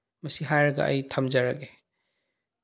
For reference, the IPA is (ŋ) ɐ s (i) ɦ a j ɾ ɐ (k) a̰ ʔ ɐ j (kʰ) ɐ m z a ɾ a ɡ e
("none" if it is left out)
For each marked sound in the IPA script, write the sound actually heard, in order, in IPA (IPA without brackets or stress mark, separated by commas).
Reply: m, i, ɡ, tʰ